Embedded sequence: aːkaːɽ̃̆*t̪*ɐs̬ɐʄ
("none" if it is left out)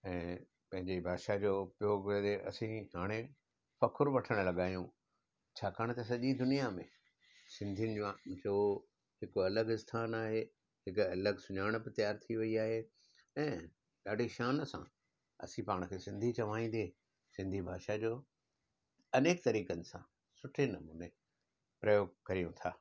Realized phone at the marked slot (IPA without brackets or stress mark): t̪